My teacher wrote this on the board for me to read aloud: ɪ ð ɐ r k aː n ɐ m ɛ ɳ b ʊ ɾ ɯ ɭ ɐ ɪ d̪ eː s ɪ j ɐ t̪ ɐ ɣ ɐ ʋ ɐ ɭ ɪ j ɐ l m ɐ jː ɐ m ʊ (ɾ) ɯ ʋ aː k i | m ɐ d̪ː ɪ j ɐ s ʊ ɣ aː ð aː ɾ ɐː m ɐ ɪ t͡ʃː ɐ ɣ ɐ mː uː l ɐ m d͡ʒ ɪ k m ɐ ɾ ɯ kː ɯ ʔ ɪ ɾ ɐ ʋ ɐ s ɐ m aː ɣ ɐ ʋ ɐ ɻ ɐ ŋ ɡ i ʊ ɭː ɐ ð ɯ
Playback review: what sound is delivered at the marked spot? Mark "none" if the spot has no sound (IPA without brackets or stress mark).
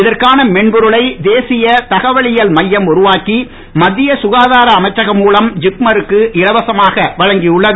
ɾ